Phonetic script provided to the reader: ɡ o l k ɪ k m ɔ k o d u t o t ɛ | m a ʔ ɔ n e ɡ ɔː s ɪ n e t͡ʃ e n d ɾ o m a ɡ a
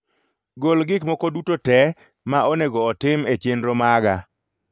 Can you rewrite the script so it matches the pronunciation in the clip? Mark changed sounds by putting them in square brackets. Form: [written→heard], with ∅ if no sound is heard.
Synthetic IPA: ɡ o l [k→ɡ] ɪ k m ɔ k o d u t o t ɛ | m a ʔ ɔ n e ɡ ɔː [s→t] ɪ [n→m] e t͡ʃ e n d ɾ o m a ɡ a